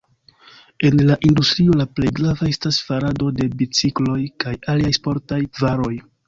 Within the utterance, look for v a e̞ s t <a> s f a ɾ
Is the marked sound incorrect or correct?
correct